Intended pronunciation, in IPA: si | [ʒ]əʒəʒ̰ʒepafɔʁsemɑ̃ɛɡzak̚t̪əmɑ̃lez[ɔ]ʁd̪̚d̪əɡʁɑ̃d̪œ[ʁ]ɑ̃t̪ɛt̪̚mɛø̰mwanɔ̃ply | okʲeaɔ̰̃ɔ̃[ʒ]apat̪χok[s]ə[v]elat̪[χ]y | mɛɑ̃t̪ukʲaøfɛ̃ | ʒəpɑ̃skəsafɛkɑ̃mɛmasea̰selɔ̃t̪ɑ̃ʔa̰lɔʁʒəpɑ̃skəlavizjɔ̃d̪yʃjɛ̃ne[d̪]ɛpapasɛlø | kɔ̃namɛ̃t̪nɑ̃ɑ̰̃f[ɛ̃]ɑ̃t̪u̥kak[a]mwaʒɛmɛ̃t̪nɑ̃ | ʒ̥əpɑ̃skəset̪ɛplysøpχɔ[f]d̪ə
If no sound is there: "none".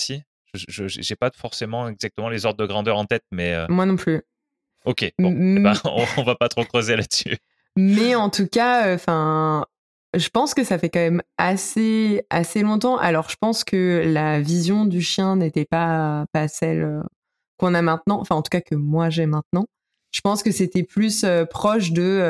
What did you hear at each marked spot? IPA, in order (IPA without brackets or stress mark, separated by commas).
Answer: ʒ, ɔ, ʁ, v, χ, z, s, t̪, ɛ̃, ə, ʃ